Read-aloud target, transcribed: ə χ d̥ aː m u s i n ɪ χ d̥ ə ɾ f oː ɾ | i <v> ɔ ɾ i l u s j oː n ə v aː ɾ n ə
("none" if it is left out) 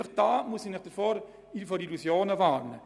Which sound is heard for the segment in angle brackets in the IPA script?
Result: f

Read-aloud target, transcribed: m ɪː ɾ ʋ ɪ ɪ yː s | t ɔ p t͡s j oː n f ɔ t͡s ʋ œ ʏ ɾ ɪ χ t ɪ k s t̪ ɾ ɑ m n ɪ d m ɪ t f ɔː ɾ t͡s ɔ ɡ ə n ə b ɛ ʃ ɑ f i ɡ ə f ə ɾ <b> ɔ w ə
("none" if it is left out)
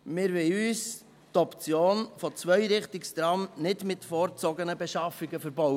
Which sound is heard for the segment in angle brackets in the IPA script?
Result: b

